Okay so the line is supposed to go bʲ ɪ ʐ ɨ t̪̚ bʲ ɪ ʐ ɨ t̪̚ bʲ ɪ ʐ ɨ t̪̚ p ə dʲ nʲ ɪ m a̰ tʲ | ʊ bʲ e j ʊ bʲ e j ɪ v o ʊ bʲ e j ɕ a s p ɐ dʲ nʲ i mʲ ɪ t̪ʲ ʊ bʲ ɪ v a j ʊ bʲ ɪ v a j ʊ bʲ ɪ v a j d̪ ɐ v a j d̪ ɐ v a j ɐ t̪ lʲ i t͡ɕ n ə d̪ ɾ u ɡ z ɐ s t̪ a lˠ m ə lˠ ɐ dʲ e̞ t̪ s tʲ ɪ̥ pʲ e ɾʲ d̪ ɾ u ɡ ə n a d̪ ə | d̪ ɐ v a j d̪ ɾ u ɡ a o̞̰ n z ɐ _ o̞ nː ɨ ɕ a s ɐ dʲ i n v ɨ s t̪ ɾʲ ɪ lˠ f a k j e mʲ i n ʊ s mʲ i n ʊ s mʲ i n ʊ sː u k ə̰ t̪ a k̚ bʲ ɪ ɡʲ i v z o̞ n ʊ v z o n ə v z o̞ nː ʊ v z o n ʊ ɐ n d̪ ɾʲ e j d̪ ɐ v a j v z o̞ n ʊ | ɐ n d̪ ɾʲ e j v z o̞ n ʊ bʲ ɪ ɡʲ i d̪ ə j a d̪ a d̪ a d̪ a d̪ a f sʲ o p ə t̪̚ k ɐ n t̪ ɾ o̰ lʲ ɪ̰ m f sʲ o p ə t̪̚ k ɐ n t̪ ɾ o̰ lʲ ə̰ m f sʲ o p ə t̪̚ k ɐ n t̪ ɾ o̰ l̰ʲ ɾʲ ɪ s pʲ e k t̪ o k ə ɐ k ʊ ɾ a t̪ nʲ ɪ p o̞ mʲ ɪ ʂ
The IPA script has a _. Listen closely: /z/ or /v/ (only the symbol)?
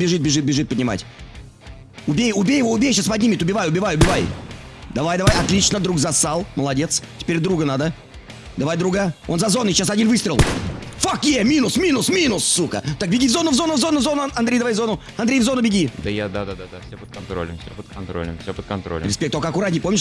z